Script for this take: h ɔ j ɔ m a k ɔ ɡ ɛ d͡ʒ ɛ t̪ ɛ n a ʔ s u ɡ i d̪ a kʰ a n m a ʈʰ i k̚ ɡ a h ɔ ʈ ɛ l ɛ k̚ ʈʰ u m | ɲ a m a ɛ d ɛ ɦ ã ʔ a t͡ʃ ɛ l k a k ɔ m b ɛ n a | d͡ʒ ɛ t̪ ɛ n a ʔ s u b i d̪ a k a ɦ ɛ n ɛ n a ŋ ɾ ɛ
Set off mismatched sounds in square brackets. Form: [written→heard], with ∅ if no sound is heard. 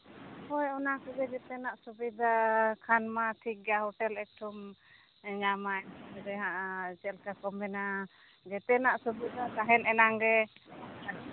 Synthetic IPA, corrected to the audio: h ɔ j ɔ [m→n] a k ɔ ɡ ɛ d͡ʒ ɛ t̪ ɛ n a ʔ s u [ɡ→b] i d̪ a kʰ a n m a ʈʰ i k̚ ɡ a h ɔ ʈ ɛ l ɛ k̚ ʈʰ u m | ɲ a m a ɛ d ɛ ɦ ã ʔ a t͡ʃ ɛ l k a k ɔ m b ɛ n a | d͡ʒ ɛ t̪ ɛ n a ʔ s u b i d̪ a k a ɦ ɛ n ɛ n a ŋ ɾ ɛ